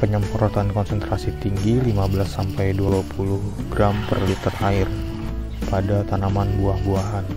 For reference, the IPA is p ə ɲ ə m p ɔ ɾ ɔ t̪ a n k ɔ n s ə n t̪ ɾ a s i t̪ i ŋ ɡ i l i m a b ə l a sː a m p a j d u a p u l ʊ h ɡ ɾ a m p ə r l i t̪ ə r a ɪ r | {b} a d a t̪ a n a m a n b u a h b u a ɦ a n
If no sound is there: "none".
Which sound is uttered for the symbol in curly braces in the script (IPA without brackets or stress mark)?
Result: p